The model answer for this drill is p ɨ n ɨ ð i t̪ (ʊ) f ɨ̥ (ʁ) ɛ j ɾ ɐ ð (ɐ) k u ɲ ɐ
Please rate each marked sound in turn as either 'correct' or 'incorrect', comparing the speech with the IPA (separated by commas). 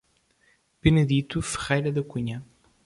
incorrect, correct, correct